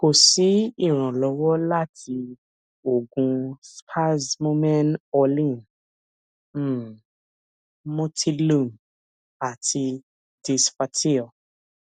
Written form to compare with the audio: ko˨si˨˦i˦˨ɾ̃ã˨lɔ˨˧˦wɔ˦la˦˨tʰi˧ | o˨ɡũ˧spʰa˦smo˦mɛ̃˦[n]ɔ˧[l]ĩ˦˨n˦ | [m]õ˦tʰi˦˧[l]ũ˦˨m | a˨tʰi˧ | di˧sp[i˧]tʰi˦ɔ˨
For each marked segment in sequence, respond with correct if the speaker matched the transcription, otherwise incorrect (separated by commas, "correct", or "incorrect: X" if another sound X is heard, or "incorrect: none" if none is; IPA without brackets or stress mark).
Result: correct, correct, correct, correct, incorrect: a˧